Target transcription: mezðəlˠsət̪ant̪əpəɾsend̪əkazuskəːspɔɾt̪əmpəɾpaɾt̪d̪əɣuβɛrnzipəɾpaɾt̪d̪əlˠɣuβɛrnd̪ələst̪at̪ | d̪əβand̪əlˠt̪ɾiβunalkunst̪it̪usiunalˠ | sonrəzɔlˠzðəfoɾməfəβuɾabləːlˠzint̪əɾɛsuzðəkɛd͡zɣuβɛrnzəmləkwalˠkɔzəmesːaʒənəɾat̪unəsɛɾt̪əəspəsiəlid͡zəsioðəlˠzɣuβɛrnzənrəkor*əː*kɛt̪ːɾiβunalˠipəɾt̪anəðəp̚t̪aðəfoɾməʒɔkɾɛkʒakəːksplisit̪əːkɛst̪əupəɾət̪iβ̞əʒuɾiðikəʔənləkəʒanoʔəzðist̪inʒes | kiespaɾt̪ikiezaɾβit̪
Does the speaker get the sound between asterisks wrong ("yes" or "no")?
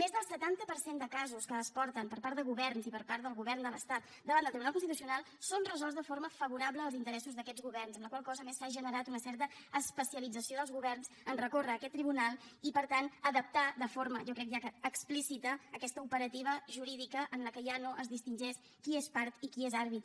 no